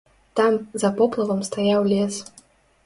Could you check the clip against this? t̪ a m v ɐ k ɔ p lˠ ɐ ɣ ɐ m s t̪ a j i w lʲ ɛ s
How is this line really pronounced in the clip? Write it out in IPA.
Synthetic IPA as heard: t̪ a m z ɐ p ɔ p lˠ ɐ v ɐ m s t̪ a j a w lʲ ɛ s